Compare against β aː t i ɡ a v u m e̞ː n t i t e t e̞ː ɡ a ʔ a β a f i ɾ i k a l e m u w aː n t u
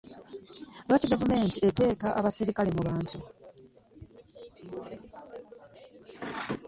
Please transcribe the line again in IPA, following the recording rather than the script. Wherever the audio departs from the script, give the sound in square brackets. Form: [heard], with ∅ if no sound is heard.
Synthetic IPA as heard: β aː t i ɡ a v u m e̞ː n t i [∅] e t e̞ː [k] a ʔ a β a [s] i ɾ i k a l e m u [β] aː n t u